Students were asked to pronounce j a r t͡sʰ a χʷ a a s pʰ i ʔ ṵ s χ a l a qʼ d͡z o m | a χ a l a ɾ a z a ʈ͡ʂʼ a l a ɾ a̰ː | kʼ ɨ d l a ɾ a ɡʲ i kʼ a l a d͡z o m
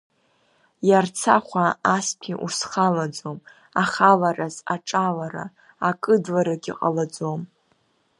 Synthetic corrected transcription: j a r t͡sʰ a χʷ a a s pʰ i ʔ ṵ s χ a l a d͡z o m | a χ a l a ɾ a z a ʈ͡ʂʼ a l a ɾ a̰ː | kʼ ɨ d l a ɾ a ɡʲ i qʼ a l a d͡z o m